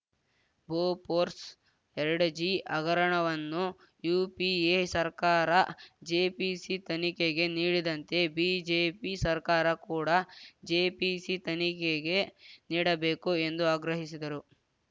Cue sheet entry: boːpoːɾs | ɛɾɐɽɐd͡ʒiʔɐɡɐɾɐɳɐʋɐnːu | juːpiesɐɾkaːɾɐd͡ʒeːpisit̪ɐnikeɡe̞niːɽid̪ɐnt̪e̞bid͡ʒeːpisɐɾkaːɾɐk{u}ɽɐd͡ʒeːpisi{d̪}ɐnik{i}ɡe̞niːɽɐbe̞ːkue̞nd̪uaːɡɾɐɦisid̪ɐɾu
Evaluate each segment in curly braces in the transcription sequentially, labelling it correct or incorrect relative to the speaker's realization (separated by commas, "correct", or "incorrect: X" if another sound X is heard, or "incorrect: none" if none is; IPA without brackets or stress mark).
incorrect: uː, incorrect: t̪, incorrect: e